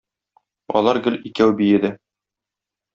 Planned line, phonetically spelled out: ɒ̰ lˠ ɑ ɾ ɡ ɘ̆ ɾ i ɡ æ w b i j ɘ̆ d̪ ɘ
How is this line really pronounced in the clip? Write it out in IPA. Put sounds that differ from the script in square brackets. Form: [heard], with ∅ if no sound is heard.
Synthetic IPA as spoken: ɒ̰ lˠ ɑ ɾ ɡ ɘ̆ [l] i [k] æ w b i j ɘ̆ d̪ ɘ